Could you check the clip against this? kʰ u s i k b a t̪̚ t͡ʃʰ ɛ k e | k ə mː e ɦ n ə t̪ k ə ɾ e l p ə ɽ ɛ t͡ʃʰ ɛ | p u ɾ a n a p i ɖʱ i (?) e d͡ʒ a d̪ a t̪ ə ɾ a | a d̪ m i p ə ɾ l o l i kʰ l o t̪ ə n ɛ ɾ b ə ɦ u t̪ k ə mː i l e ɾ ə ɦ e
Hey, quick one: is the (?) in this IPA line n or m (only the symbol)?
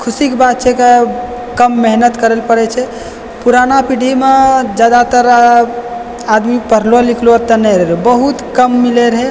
m